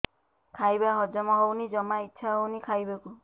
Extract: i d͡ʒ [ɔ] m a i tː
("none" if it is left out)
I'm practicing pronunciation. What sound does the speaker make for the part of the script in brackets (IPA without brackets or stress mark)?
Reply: ɔ